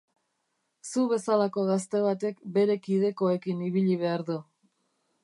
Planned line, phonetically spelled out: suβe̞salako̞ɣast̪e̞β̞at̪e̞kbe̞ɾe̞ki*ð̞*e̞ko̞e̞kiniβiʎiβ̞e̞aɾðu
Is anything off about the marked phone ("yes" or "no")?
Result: no